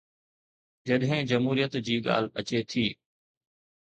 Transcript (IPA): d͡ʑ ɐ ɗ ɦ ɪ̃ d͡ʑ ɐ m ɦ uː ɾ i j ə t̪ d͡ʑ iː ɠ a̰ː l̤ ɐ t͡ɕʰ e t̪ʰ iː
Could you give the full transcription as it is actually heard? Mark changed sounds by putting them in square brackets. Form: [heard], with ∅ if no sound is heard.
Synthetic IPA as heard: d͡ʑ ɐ ɗ ɦ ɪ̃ d͡ʑ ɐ m ɦ uː ɾ i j ə t̪ d͡ʑ iː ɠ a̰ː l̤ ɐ [t͡ɕ] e t̪ʰ iː

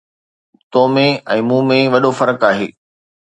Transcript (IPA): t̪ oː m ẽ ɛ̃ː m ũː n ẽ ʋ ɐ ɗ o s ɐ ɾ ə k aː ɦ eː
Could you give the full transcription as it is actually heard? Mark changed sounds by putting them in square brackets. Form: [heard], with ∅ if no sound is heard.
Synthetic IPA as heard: t̪ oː m ẽ ɛ̃ː m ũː [m] ẽ ʋ ɐ ɗ o [f] ɐ ɾ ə k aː ɦ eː

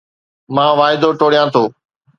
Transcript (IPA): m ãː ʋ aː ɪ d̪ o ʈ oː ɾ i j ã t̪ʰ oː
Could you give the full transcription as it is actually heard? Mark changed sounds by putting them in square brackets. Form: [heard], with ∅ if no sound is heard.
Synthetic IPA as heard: m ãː ʋ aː ɪ d̪ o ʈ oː [ɽ] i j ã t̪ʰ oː

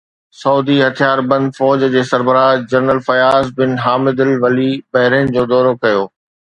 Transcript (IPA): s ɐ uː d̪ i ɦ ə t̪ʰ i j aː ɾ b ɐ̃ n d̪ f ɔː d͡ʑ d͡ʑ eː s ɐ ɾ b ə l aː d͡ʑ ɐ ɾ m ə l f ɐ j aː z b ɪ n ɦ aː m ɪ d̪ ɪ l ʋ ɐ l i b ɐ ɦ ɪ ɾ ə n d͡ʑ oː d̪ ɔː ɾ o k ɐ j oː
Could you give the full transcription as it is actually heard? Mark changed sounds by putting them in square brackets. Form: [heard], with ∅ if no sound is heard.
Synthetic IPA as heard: s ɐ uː d̪ i ɦ [ɐ] t̪ʰ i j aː ɾ b ɐ̃ n d̪ f ɔː d͡ʑ d͡ʑ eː s ɐ ɾ b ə [ɾ] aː d͡ʑ ɐ ɾ [n] ə l f ɐ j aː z b ɪ n ɦ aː m ɪ d̪ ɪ l ʋ ɐ l i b ɐ ɦ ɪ ɾ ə n d͡ʑ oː d̪ ɔː ɾ o k ɐ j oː

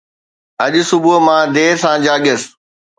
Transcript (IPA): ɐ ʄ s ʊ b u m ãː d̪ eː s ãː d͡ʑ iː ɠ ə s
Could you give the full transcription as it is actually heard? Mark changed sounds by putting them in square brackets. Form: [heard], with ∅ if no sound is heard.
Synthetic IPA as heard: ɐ ʄ s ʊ b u m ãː d̪ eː s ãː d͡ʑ [aː] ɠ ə s

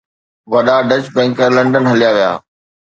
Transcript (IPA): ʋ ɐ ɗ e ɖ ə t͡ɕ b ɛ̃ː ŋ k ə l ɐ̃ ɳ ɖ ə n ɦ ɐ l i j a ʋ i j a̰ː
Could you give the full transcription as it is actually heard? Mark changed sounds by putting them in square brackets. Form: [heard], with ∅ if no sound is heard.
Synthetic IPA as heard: ʋ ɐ ɗ [a] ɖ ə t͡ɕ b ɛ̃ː ŋ k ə l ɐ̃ ɳ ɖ ə n ɦ ɐ l i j a ʋ i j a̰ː

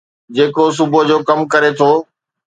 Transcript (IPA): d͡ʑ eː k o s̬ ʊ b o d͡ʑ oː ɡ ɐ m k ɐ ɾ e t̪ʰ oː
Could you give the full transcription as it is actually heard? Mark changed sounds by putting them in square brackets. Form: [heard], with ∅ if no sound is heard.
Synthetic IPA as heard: d͡ʑ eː k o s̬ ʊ b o d͡ʑ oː [k] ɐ m k ɐ ɾ e t̪ʰ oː

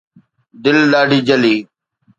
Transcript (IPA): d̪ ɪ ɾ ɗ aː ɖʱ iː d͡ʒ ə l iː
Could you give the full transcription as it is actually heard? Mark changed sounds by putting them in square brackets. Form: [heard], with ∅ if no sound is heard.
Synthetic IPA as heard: d̪ ɪ [l] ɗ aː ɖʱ iː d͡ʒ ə l iː

